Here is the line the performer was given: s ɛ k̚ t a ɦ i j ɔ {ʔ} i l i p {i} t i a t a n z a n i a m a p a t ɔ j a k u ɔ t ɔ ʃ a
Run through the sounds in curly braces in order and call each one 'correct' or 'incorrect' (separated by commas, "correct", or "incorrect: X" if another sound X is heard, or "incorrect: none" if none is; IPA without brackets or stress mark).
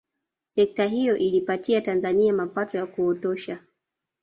correct, incorrect: a